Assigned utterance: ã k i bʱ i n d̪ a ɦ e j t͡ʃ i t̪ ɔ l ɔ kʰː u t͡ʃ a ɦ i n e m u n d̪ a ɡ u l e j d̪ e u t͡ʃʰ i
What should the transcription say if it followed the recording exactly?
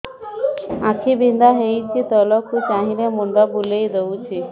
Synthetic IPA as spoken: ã kʰ i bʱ i n d̪ a ɦ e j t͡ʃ i t̪ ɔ l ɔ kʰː u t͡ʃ a ɦ i n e m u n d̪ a b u l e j d̪ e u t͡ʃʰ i